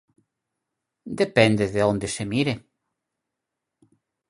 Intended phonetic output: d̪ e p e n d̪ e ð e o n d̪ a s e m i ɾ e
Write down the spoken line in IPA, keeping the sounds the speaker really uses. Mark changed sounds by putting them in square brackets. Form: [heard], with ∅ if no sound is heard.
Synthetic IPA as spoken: d̪ e p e n d̪ e ð e o n d̪ [e] s e m i ɾ e